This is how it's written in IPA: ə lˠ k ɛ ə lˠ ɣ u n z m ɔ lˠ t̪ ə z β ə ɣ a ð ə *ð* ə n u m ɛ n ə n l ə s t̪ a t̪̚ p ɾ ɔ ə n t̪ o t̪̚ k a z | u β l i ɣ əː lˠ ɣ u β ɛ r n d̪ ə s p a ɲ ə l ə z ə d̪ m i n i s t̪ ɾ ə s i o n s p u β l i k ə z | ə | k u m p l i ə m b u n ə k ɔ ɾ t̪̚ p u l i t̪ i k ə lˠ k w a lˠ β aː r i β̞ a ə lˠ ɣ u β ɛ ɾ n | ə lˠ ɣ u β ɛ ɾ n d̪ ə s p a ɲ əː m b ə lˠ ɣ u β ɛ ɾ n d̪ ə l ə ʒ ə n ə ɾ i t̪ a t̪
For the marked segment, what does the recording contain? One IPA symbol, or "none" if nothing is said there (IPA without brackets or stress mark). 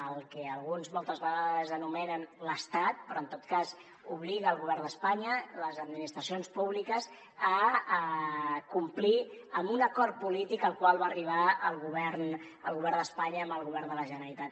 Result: z